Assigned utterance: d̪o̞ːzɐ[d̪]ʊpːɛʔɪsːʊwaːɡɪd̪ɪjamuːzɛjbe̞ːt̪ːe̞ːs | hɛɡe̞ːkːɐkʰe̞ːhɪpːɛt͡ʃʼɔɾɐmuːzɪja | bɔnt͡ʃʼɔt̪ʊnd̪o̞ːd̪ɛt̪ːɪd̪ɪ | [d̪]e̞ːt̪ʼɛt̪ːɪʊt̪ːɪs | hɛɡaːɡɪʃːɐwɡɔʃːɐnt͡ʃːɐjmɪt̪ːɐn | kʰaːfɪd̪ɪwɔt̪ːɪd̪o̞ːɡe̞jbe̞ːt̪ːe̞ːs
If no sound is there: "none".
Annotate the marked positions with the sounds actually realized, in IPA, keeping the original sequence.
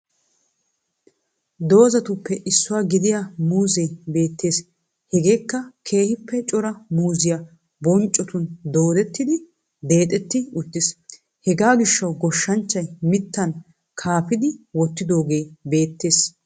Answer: t̪, d̪

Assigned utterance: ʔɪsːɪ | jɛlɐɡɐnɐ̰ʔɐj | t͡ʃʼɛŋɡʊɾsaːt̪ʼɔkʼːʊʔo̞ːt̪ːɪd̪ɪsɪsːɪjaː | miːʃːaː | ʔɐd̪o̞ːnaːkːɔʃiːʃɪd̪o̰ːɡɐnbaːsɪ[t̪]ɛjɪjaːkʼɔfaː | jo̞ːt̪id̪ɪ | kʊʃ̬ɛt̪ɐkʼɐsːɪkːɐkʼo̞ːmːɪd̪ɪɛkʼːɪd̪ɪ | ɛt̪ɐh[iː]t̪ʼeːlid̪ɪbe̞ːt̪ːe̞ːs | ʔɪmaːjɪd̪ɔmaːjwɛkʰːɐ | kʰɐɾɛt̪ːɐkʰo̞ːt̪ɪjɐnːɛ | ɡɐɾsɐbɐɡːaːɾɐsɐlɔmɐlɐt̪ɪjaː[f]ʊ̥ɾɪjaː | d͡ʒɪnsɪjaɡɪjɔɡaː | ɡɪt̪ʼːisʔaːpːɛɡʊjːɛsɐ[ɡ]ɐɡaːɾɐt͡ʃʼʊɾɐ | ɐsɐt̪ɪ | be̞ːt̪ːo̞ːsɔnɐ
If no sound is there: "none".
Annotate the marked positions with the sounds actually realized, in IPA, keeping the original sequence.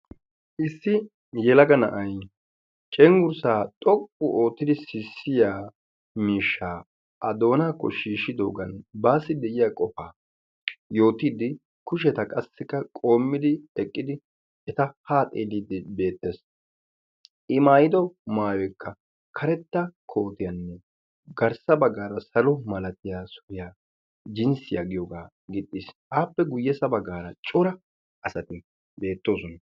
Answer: d̪, aː, s, b

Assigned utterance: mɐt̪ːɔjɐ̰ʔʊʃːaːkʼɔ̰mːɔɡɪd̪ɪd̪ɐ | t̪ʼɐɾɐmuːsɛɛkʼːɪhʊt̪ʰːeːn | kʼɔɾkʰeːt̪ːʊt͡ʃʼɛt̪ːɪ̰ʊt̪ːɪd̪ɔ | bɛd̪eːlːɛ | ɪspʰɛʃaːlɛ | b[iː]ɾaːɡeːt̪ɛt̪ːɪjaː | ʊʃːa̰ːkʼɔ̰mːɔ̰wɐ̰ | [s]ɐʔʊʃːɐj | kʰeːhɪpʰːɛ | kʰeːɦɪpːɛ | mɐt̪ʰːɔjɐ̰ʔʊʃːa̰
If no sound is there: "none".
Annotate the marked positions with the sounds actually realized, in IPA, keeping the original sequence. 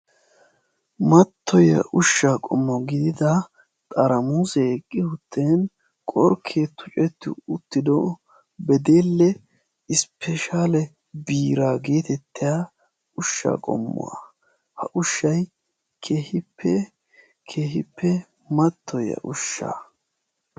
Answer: iː, h

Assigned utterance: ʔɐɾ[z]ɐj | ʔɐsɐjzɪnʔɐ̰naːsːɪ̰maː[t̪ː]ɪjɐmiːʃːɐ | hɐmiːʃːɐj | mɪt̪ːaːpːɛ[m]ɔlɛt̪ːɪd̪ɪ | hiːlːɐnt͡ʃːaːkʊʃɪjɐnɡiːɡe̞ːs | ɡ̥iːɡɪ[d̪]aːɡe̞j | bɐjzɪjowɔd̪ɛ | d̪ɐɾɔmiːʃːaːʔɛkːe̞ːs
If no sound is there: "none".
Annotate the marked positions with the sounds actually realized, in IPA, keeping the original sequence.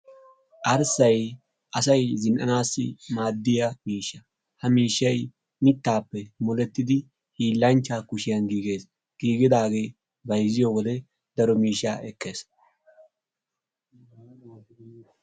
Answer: s, d̪ː, m, d̪

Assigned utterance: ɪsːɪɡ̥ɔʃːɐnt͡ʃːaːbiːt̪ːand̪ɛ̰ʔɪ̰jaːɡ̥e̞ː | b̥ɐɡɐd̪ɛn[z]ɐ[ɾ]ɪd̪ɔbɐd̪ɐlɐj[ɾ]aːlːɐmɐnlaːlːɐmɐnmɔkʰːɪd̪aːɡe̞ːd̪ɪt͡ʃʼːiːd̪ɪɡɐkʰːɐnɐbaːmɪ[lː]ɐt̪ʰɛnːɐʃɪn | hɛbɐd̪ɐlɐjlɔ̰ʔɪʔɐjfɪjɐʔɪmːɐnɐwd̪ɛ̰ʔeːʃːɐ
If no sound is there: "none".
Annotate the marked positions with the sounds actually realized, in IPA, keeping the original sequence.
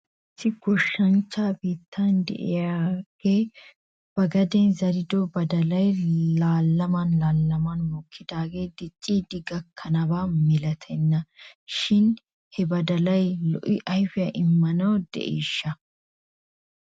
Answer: z, ɾ, l, l

